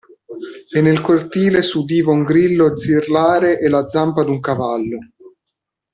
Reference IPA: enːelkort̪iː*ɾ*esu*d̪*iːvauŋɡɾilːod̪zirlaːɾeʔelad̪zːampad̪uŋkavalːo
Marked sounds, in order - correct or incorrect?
incorrect: l, correct

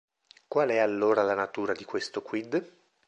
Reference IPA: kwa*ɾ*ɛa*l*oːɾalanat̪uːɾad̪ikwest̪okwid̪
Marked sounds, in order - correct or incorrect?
incorrect: l, incorrect: lː

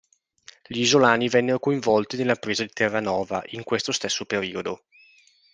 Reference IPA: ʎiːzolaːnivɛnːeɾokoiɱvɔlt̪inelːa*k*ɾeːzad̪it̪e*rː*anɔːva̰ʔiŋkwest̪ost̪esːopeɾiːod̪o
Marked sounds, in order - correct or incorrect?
incorrect: p, correct

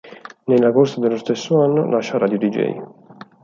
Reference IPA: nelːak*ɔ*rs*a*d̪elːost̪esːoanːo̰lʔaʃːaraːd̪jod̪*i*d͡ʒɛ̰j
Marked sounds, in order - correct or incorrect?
incorrect: o, correct, correct

